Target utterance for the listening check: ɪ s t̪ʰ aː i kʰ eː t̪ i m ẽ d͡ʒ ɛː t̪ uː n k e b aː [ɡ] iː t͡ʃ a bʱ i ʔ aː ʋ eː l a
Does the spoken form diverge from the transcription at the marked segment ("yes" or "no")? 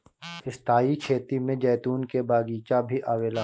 no